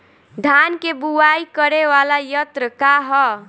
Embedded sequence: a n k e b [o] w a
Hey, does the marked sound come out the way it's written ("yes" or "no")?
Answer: no